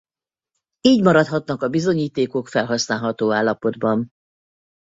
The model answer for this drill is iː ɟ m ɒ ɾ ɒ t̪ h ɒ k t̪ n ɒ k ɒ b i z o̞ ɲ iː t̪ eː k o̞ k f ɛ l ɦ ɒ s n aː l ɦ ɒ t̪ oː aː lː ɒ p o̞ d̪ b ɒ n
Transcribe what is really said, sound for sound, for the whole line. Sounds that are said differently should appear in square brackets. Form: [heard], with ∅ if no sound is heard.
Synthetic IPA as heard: iː ɟ m ɒ ɾ ɒ t̪ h ɒ [∅] t̪ n ɒ k ɒ b i z o̞ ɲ iː t̪ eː k o̞ k f ɛ l ɦ ɒ s n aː l ɦ ɒ t̪ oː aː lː ɒ p o̞ d̪ b ɒ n